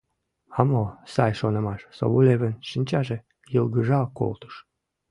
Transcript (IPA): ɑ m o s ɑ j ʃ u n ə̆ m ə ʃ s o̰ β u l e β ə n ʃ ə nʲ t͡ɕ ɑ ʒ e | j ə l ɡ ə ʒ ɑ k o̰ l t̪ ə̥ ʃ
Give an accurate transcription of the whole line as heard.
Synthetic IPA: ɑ m o s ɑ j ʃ o n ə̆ m ɑ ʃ s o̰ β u l e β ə n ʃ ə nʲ t͡ɕ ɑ ʒ e | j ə l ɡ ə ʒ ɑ k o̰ l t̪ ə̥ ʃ